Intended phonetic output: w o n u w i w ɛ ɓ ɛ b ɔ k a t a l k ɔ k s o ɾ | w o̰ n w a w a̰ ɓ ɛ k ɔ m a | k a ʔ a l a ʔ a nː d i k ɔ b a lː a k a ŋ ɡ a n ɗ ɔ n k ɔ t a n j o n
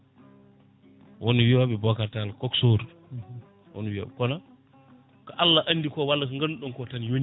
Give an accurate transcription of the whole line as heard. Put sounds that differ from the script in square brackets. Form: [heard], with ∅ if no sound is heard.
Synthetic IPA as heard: w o n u w i w [a] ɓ ɛ b ɔ k a t a l k ɔ k s o ɾ | w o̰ n w [i] w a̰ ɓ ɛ k ɔ [n] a | k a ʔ a [lː] a ʔ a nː d i k ɔ [w] a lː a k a ŋ ɡ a n ɗ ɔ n k ɔ t a n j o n